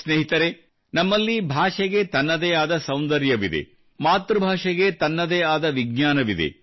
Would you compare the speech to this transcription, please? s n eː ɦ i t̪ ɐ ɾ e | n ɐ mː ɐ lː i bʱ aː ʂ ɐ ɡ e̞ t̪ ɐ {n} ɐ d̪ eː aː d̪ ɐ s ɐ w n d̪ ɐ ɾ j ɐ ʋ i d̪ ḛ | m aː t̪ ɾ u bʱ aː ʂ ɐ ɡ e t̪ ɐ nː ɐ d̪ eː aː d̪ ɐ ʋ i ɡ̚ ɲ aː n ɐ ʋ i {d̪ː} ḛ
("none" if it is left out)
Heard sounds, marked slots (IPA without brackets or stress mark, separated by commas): nː, d̪